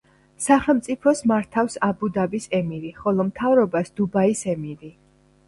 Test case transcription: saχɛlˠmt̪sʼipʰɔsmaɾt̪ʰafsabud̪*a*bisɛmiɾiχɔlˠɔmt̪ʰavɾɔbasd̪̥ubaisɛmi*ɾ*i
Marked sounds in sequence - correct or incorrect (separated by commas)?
correct, correct